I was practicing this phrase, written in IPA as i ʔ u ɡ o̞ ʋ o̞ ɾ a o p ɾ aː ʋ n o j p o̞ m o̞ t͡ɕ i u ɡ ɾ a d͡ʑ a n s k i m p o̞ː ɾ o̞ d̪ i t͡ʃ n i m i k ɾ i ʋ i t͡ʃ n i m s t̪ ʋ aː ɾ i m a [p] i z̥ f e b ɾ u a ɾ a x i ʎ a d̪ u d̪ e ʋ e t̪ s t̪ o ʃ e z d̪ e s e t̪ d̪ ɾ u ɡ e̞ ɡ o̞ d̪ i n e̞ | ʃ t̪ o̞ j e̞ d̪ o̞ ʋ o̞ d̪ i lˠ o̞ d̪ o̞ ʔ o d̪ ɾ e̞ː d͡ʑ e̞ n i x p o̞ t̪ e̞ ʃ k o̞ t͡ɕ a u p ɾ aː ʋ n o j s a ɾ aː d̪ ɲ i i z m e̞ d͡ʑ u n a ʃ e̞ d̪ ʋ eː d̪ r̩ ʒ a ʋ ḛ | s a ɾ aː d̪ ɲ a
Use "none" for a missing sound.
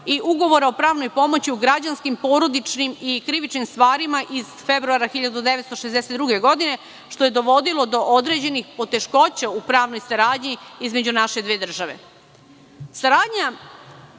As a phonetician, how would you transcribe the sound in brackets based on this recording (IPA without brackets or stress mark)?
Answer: ʔ